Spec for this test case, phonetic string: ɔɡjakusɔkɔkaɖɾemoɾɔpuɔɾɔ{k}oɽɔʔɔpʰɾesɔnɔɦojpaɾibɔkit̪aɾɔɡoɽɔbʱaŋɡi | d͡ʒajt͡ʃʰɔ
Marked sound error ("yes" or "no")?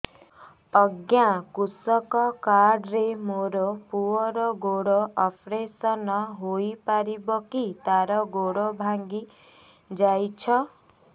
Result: yes